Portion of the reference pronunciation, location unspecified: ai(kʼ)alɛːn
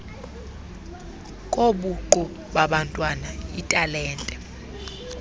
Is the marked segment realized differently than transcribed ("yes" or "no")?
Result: yes